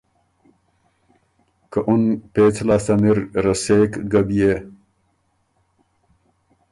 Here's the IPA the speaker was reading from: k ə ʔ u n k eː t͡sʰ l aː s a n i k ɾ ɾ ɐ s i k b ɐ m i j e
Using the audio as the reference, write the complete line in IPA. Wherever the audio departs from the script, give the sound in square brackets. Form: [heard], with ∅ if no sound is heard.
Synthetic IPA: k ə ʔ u n [p] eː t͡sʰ l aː s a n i [∅] ɾ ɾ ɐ s [e] k [ɡ] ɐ [b] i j e

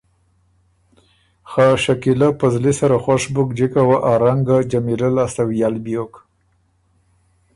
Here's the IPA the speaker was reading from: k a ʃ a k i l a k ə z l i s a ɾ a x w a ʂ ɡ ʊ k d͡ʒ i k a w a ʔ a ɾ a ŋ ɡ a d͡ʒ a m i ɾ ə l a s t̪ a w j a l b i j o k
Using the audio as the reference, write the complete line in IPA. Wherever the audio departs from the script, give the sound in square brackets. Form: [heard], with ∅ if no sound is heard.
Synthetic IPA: [x] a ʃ a k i l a [p] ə z l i s a ɾ a x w a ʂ [b] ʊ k d͡ʒ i k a w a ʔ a ɾ a ŋ ɡ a d͡ʒ a m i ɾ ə l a s t̪ a w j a l b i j o k

